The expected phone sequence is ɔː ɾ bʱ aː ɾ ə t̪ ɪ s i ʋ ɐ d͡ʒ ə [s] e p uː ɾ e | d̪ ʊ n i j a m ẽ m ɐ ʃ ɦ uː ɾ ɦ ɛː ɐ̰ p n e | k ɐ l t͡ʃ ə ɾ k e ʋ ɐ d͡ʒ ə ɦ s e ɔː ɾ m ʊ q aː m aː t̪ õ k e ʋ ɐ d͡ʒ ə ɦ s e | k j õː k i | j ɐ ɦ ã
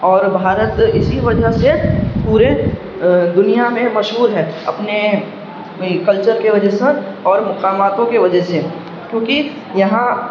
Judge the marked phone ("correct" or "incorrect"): correct